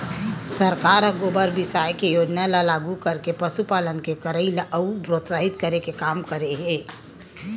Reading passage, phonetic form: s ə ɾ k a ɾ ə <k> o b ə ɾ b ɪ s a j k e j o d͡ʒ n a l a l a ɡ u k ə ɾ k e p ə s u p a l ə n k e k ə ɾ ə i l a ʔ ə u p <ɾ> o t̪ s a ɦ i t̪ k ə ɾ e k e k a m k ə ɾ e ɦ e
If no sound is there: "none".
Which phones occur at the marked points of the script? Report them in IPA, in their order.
ɡ, ɾ

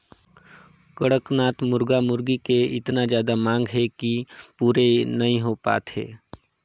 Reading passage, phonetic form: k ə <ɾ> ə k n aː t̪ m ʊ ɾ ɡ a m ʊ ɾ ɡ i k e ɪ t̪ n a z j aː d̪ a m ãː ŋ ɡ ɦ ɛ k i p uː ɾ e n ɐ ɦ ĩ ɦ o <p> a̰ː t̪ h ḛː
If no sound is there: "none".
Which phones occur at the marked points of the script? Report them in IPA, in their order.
ɽ, p

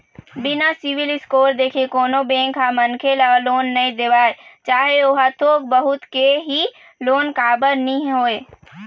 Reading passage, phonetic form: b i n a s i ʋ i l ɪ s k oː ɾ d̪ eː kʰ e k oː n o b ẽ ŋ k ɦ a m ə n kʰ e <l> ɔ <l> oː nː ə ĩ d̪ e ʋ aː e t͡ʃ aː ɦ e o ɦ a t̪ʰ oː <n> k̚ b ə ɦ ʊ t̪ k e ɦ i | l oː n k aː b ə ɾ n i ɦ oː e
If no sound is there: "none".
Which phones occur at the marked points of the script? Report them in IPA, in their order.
l, l, none

